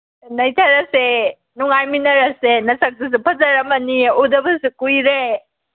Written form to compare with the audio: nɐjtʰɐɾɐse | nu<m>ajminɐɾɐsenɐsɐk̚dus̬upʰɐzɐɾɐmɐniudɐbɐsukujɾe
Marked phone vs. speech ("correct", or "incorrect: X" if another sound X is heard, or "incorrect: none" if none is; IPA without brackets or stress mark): incorrect: ŋ